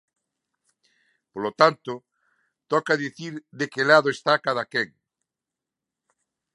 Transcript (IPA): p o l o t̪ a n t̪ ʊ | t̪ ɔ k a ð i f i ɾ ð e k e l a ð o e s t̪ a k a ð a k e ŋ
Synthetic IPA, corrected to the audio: p o l o t̪ a n t̪ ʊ | t̪ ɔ k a ð i θ i ɾ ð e k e l a ð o e s t̪ a k a ð a k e ŋ